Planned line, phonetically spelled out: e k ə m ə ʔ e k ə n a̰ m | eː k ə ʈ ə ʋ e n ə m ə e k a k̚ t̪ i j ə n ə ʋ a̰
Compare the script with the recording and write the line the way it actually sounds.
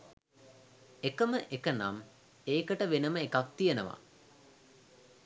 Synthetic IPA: e k ə m ə ʔ e k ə n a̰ m | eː k ə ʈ ə ʋ e n ə m ə e k a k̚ t̪ i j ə n ə ʋ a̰